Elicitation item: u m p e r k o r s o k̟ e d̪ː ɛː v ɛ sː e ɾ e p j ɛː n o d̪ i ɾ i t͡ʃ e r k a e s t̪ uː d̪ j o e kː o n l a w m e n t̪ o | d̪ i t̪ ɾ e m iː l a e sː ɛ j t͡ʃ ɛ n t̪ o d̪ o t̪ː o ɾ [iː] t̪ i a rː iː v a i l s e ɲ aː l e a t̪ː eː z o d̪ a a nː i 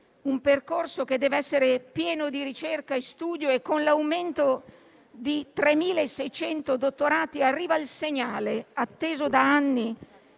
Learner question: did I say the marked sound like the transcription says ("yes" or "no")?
no